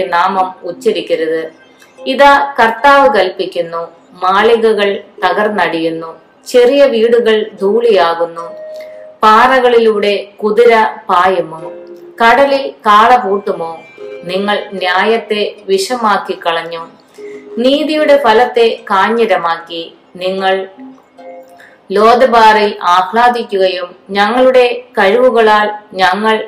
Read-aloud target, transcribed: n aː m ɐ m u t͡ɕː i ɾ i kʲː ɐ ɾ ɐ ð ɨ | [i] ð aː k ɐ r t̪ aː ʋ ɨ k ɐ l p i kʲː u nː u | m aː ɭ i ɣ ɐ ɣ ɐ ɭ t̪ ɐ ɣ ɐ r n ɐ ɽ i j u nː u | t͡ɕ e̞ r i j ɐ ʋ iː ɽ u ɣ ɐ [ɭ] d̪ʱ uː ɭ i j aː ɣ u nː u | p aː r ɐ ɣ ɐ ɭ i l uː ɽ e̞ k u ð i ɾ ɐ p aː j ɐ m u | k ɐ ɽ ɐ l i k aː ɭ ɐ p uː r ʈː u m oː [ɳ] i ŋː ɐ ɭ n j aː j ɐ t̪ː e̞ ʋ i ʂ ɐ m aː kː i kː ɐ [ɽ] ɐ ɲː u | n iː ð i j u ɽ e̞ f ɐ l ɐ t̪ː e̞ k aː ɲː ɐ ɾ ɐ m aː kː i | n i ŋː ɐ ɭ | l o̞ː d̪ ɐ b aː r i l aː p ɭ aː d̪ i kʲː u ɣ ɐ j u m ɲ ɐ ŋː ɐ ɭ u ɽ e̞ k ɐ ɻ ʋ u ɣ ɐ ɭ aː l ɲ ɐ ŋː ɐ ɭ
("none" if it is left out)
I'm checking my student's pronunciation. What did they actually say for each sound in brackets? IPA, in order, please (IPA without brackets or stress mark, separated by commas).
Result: i, ɭ, n, ɭ